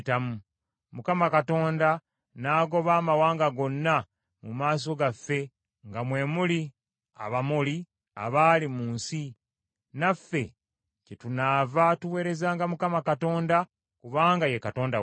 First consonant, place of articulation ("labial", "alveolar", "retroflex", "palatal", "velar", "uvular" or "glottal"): alveolar